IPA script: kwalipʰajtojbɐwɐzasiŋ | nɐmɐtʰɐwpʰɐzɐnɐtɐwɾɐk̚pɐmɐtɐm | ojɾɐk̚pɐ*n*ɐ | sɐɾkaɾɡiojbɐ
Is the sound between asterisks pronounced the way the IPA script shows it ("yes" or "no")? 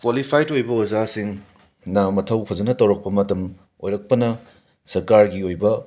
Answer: yes